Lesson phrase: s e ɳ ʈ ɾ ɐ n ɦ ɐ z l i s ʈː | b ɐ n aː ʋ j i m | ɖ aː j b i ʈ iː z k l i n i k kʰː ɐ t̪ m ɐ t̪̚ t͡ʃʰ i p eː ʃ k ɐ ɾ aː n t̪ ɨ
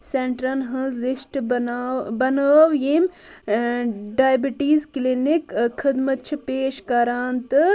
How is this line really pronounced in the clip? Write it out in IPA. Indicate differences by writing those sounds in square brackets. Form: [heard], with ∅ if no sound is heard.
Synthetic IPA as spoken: s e ɳ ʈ ɾ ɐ n ɦ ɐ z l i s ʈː | b ɐ n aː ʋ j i m | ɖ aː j b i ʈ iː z k l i n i k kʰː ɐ [d̪] m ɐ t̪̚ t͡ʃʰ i p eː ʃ k ɐ ɾ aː n t̪ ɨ